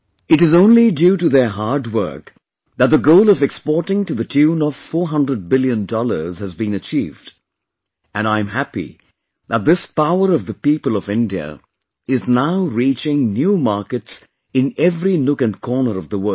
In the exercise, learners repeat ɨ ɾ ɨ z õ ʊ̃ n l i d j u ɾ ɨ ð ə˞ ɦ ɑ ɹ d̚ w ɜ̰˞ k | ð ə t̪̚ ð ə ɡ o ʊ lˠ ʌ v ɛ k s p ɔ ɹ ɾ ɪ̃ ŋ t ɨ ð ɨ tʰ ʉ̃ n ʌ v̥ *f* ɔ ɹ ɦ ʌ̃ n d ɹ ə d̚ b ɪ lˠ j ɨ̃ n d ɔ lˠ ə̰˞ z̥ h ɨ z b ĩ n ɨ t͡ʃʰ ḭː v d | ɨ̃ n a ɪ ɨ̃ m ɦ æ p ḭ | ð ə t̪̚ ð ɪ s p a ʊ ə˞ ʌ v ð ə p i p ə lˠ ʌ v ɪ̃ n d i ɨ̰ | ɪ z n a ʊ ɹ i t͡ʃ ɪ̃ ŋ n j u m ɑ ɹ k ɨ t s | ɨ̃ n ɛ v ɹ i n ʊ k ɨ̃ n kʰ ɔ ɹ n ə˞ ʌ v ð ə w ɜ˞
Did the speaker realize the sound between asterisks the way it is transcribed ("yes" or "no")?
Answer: yes